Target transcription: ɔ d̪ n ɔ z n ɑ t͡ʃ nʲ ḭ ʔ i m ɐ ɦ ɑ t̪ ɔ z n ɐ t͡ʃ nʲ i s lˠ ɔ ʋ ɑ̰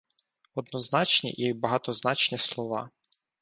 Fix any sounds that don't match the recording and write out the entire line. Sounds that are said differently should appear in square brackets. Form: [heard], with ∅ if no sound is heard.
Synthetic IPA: ɔ d̪ n ɔ z n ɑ t͡ʃ nʲ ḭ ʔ i [b] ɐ ɦ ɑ t̪ ɔ z n [ɑ] t͡ʃ nʲ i s lˠ ɔ ʋ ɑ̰